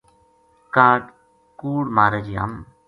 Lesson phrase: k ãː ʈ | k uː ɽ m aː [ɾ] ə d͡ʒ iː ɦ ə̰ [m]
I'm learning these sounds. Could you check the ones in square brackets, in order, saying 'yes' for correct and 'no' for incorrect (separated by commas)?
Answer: yes, yes